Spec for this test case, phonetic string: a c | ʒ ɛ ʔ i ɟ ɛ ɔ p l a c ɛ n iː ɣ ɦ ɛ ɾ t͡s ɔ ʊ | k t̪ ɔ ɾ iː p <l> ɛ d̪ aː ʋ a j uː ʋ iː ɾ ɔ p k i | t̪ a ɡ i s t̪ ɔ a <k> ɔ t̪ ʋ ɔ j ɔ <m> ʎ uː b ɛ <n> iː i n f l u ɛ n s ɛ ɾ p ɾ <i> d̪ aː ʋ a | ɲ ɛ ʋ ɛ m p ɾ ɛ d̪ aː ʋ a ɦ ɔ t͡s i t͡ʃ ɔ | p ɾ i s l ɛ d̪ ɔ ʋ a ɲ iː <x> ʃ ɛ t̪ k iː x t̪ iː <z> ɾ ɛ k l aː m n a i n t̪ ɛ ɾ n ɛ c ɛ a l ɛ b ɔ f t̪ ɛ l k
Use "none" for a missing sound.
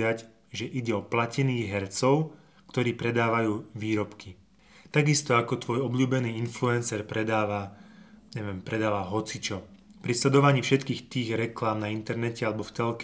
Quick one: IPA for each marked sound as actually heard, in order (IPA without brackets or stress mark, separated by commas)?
ɾ, k, b, n, ɛ, f, ɣ